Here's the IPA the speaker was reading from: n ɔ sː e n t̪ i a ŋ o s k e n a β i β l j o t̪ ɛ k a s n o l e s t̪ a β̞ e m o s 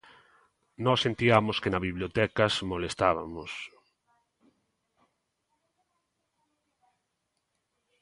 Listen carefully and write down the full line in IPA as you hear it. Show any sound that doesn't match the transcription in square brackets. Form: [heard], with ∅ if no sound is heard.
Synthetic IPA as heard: n ɔ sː e n t̪ i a [m] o s k e n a β i β l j o t̪ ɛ k a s [m] o l e s t̪ a β̞ [a] m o s